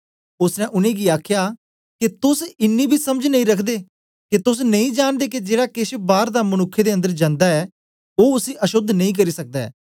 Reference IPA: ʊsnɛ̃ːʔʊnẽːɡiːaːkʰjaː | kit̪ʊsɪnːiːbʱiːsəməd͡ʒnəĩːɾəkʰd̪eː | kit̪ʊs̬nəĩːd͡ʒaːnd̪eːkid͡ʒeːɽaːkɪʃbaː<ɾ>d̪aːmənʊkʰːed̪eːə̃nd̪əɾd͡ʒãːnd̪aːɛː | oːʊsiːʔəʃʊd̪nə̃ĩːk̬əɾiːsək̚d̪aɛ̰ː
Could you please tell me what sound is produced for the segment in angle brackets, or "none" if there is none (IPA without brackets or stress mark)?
ɾ